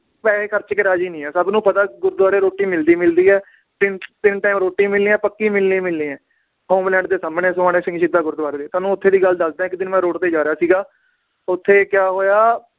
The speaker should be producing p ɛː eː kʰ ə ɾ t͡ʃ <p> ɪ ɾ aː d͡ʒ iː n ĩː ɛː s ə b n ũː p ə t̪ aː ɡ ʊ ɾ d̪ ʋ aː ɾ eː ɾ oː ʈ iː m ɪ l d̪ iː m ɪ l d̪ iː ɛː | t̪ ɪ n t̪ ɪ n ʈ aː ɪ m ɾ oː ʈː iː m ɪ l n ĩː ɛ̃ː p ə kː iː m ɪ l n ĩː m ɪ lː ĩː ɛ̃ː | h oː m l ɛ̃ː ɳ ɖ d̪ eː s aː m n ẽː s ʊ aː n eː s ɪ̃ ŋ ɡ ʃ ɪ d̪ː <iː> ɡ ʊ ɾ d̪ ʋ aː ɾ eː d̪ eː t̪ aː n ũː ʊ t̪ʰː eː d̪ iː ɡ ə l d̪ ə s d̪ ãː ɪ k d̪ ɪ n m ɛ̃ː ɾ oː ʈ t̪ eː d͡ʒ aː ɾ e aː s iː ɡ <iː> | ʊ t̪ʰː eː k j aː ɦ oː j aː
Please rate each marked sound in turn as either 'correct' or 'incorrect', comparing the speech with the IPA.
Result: incorrect, incorrect, incorrect

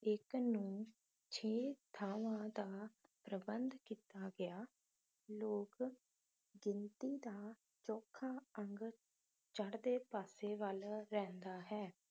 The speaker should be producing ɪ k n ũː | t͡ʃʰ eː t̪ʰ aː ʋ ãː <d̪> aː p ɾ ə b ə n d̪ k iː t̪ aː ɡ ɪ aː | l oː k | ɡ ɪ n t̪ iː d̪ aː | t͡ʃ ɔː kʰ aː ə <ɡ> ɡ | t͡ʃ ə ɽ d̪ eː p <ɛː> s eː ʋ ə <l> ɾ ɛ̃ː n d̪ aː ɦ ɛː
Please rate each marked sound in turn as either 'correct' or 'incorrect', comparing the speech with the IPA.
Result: correct, incorrect, incorrect, correct

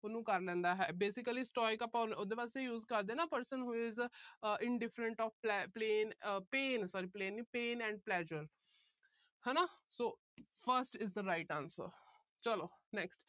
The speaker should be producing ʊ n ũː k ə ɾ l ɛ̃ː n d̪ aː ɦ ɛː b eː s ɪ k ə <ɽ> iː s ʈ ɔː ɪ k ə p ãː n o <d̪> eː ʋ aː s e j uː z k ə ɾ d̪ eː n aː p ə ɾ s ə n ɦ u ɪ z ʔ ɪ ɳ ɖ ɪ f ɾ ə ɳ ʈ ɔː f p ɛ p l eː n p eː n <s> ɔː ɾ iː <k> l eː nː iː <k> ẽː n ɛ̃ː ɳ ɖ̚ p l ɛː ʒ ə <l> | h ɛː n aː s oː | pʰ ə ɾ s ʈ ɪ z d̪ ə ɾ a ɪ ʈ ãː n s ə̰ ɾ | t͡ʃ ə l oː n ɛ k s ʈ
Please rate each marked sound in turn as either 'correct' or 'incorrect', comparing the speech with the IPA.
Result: incorrect, correct, correct, incorrect, incorrect, incorrect

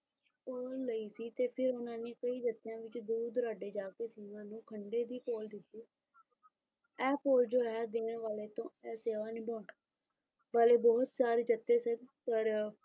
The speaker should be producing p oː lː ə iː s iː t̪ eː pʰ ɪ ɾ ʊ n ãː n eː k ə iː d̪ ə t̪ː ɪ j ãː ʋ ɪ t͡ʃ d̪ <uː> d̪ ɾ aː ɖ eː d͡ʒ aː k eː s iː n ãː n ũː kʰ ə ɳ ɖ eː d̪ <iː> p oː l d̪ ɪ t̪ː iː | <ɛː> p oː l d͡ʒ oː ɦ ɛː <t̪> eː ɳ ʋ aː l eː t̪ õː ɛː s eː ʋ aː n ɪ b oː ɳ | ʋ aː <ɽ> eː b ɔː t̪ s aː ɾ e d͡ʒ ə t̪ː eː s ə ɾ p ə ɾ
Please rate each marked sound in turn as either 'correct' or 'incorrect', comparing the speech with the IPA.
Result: correct, correct, correct, incorrect, incorrect

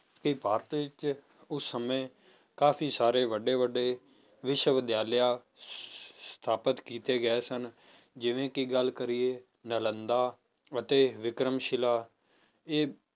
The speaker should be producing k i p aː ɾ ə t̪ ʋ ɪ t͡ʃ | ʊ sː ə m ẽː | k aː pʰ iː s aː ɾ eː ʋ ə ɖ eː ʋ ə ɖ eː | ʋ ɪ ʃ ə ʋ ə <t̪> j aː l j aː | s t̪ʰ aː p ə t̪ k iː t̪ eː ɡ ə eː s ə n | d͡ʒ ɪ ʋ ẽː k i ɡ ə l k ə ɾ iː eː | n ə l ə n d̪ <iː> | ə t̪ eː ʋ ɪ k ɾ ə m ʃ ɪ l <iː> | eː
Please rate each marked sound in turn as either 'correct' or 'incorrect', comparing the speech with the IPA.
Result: incorrect, incorrect, incorrect

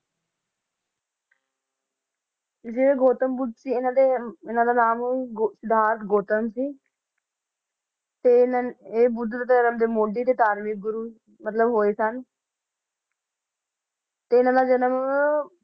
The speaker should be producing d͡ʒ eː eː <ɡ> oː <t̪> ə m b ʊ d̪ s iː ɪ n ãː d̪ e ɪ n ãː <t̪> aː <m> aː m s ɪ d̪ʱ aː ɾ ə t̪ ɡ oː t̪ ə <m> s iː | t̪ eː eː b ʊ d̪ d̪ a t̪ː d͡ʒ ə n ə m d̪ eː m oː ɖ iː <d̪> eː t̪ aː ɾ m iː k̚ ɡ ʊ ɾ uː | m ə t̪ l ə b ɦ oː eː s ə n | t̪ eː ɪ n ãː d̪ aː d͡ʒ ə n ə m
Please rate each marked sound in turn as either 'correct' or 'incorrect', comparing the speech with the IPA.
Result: correct, correct, incorrect, incorrect, correct, incorrect

